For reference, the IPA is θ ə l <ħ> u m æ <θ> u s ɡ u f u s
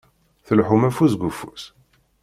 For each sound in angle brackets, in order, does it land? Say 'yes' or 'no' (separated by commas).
yes, no